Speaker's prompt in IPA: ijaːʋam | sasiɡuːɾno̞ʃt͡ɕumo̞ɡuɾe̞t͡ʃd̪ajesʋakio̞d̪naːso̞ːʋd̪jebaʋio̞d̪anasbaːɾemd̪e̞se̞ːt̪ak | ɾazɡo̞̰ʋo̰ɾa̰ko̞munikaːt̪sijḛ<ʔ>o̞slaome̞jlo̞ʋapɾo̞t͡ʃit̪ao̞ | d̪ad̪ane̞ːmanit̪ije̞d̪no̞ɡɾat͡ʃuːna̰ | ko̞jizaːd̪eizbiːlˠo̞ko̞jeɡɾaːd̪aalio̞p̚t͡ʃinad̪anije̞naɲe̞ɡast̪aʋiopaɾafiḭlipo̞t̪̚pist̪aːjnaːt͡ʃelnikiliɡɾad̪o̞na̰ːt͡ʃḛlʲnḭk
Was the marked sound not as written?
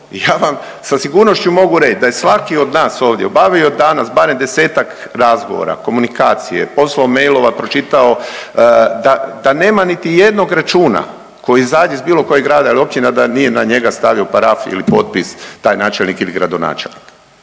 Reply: yes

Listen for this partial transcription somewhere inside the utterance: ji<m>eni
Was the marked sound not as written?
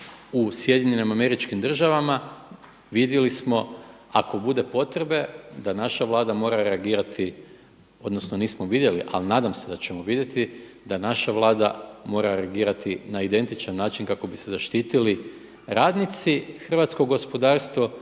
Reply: yes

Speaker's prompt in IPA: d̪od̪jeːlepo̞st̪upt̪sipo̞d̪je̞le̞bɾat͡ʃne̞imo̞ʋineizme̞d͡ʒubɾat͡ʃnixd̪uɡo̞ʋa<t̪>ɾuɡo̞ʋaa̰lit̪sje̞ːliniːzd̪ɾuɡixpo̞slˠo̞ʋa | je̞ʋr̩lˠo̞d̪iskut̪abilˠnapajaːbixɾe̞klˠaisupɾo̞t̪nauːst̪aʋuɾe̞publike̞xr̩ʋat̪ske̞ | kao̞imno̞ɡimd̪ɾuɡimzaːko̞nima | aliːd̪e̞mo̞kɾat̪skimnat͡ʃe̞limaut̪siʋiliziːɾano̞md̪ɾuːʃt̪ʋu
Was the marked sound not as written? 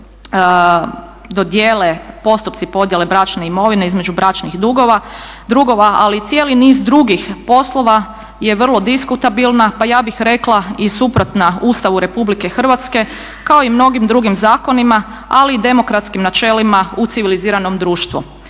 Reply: yes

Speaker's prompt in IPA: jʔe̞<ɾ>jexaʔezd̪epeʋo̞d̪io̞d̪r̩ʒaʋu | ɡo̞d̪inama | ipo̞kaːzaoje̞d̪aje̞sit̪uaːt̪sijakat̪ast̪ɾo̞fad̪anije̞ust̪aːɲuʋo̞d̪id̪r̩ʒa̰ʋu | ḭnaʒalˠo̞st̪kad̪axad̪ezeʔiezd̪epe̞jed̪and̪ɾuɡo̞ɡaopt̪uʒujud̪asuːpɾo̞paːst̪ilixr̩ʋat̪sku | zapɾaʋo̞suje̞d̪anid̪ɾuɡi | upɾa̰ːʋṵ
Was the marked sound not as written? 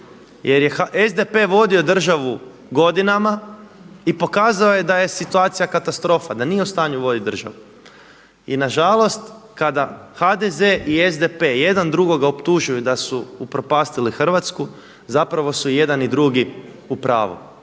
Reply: no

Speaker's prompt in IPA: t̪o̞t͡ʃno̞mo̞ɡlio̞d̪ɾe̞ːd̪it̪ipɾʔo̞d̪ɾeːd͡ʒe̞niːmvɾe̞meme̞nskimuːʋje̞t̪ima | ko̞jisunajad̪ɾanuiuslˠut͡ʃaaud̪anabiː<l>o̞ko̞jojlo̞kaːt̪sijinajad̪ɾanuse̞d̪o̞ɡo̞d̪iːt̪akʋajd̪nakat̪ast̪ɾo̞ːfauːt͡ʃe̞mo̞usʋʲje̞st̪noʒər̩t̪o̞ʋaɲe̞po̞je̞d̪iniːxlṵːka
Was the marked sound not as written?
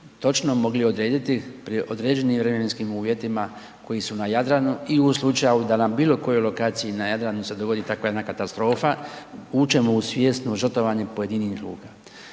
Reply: no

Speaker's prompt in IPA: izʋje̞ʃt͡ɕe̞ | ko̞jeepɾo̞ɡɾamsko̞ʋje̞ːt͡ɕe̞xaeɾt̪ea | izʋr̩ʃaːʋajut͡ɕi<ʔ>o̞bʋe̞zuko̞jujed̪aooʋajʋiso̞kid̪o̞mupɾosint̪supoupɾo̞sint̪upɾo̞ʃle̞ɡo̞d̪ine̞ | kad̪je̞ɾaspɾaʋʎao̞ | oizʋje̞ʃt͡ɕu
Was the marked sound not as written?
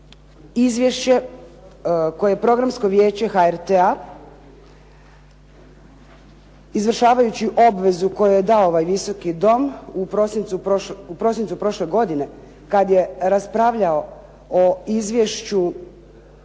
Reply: no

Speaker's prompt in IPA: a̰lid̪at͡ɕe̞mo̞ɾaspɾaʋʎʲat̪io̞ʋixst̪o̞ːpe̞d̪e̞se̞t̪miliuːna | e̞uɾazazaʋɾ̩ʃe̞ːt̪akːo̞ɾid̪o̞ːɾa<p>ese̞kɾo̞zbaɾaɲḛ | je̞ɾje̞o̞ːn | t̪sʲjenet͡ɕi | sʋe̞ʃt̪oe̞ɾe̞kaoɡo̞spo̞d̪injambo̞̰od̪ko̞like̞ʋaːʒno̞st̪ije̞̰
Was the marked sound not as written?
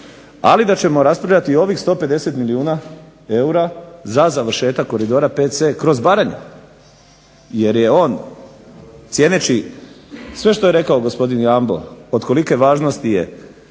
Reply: no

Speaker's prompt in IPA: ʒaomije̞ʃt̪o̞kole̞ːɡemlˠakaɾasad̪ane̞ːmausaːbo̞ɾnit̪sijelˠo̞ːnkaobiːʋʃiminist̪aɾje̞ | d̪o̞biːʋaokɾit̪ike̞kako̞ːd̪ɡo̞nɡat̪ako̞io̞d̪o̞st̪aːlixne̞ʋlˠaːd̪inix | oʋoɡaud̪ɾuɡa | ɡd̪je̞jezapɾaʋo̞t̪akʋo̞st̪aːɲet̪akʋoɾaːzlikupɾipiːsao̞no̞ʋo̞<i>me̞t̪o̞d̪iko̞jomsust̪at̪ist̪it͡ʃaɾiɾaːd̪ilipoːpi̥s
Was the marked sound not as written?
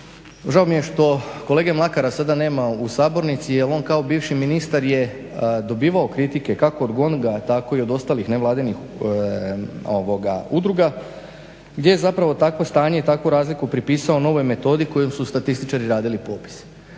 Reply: yes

